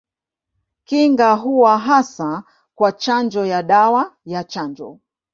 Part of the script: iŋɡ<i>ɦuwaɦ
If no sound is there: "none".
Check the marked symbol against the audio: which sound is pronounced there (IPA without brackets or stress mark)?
a